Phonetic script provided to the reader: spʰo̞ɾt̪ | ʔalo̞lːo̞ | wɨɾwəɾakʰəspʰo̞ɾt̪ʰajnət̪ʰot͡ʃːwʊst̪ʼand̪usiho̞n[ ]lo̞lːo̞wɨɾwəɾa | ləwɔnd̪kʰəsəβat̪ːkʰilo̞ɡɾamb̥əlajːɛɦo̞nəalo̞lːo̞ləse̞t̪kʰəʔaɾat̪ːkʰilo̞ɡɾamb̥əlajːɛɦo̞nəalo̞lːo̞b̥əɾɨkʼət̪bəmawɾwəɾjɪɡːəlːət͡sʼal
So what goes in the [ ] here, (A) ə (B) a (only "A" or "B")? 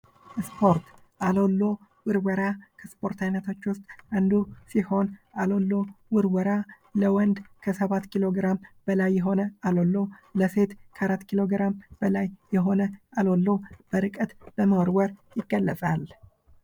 B